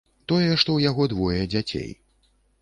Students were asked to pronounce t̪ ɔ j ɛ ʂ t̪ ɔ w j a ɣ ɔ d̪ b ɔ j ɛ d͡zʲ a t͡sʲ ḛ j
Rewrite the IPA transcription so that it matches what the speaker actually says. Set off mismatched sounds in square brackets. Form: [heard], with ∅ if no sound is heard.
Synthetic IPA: t̪ ɔ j ɛ ʂ t̪ ɔ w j a ɣ ɔ d̪ [v] ɔ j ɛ d͡zʲ a t͡sʲ ḛ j